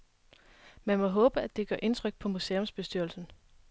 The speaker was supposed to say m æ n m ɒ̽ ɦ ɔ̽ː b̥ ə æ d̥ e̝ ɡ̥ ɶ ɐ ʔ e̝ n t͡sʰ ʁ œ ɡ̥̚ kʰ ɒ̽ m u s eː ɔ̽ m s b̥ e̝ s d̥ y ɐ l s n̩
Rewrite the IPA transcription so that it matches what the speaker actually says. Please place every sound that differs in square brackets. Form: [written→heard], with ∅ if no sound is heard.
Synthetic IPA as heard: m æ n m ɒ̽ ɦ ɔ̽ː b̥ ə æ d̥ e̝ ɡ̥ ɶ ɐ ʔ e̝ n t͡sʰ ʁ œ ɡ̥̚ [kʰ→pʰ] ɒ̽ m u s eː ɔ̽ m s b̥ e̝ s d̥ y ɐ l s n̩